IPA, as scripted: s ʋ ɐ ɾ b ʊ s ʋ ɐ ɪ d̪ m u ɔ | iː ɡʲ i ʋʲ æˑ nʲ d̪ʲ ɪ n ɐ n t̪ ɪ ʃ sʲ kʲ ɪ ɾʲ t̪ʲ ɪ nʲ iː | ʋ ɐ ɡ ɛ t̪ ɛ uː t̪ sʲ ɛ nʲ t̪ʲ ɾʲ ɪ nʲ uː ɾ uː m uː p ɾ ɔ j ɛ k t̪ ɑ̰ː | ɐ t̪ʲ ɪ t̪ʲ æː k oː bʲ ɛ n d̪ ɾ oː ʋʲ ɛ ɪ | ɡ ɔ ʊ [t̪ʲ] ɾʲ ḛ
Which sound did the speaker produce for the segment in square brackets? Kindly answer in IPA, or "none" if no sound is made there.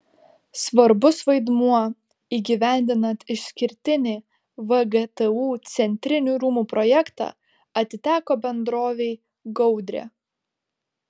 d̪ʲ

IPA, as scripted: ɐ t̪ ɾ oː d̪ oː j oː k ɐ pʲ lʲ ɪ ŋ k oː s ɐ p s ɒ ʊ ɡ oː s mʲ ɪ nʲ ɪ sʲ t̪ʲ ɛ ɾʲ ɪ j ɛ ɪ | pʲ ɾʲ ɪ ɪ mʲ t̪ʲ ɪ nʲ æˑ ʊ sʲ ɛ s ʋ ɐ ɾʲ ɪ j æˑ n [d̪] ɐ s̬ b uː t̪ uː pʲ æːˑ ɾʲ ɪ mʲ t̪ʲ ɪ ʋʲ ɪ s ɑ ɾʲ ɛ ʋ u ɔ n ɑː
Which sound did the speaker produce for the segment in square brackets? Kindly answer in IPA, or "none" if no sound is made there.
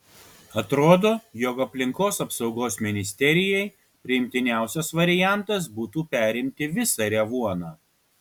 t̪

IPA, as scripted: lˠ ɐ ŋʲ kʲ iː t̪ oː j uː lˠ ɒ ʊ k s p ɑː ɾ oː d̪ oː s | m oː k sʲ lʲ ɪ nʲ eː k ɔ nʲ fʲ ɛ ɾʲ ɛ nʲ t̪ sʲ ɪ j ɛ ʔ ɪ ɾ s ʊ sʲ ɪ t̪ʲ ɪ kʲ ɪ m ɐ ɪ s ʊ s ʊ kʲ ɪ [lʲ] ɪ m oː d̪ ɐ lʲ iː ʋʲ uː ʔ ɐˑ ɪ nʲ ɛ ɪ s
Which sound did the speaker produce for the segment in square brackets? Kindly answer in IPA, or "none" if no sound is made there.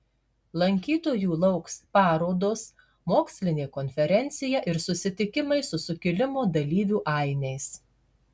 lʲ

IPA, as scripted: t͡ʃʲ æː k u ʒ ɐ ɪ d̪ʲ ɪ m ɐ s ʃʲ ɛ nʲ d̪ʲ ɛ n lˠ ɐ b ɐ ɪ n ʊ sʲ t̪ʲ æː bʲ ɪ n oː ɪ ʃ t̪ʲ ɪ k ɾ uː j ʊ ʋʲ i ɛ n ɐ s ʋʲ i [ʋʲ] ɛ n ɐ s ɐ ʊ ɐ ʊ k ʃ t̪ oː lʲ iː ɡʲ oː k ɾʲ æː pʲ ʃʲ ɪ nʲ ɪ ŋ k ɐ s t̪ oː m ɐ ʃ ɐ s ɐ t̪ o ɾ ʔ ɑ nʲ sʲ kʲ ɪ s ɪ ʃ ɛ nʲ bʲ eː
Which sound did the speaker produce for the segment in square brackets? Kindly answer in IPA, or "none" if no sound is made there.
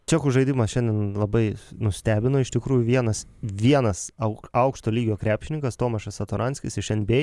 none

